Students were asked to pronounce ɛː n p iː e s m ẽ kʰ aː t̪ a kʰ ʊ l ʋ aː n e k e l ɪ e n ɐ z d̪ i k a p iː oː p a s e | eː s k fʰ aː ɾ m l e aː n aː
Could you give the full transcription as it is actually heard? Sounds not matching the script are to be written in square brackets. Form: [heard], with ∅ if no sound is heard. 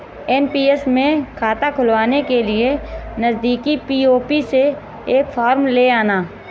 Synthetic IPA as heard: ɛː n p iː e s m ẽ kʰ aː t̪ a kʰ ʊ l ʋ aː n e k e l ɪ e n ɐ z d̪ [iː] k [i] p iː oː p [i] s e | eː [∅] k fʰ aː ɾ m l e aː n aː